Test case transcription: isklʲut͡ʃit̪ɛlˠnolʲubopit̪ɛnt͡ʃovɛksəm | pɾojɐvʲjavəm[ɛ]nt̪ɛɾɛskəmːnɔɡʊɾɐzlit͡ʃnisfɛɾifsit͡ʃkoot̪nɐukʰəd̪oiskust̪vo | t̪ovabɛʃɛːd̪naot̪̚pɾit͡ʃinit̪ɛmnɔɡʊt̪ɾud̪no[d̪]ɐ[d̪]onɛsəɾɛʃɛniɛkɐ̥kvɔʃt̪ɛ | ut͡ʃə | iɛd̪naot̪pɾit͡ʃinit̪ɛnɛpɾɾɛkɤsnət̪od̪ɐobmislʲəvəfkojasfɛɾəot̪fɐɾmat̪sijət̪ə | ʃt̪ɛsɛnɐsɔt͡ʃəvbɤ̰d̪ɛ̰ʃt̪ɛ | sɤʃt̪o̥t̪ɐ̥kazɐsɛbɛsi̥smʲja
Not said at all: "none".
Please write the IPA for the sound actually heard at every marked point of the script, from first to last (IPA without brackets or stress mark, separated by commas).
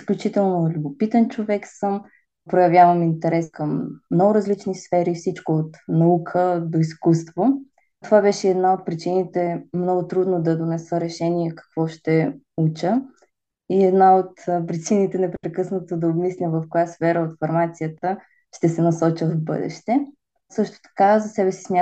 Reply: i, d̪, d̪